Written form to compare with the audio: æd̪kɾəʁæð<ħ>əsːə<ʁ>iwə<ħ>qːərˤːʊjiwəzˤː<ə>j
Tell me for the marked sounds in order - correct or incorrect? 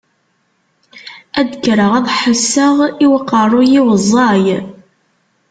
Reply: correct, correct, incorrect, incorrect

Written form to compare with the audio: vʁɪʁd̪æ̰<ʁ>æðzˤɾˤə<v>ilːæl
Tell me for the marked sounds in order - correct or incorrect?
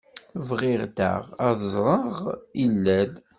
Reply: correct, incorrect

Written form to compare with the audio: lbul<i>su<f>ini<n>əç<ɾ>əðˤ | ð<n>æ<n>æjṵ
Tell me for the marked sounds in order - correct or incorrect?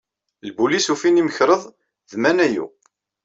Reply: correct, correct, incorrect, correct, incorrect, correct

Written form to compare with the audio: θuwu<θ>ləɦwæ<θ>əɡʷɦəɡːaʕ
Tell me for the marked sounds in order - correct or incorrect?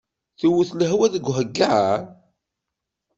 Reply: correct, incorrect

